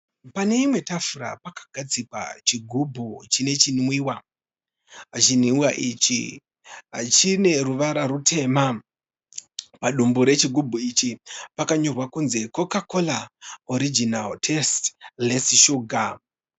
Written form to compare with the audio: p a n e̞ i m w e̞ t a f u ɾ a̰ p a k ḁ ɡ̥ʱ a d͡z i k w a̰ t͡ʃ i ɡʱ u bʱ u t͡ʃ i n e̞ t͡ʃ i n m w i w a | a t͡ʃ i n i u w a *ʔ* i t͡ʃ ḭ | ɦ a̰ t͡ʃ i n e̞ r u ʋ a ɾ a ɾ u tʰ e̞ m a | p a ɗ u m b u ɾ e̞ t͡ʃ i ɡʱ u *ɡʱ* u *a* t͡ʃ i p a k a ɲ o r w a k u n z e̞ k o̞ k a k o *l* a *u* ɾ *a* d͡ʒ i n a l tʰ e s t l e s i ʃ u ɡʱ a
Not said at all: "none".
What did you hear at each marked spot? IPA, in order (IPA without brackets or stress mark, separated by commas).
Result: ʔ, bʱ, i, l, o, i